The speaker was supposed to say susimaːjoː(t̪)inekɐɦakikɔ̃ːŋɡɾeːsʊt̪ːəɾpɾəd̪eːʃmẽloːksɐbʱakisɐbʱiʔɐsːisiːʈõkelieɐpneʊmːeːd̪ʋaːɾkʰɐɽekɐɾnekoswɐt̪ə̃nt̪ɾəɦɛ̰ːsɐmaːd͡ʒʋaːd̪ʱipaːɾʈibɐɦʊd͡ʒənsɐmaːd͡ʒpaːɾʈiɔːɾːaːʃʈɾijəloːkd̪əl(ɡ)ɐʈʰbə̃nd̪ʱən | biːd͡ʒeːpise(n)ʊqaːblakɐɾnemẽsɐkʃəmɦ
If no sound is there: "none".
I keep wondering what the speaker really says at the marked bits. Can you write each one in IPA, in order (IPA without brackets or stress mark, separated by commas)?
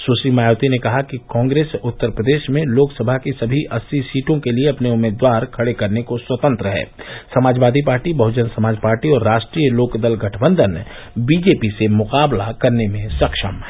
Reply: t̪, ɡ, m